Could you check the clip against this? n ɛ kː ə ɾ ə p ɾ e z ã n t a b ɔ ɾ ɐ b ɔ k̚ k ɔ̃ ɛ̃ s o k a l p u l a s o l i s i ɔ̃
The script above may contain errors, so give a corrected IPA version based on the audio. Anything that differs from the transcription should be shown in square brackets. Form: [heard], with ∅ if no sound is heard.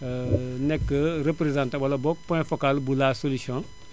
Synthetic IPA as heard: n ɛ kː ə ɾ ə p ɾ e z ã n t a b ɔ [l] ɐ b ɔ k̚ [p] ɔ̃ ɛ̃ [f] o k a l [b] u l a s o l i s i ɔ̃